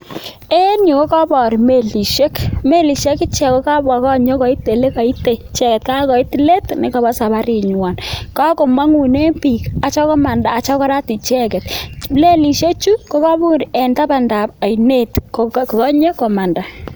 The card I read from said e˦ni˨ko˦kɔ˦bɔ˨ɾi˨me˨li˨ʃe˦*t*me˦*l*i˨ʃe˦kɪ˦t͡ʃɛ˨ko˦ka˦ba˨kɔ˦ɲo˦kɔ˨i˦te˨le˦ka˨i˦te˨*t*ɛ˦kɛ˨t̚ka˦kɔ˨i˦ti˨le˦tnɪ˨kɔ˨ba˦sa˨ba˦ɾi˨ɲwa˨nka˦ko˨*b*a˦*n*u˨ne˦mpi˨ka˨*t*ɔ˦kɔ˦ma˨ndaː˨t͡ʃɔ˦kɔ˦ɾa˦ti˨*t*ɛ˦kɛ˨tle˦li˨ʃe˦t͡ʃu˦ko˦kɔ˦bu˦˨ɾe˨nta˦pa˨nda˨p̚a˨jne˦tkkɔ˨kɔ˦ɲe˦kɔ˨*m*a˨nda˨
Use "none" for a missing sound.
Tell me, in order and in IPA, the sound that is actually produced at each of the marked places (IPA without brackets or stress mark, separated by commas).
k, l, t͡ʃ, m, ŋ, t͡ʃ, t͡ʃ, m